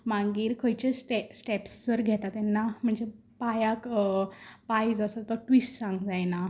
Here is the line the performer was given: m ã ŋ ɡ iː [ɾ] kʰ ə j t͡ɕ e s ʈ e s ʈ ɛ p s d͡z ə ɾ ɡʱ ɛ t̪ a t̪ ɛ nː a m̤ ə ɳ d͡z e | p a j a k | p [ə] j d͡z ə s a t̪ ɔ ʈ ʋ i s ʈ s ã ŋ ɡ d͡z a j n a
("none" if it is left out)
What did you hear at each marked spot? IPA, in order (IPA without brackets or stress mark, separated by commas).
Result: ɾ, a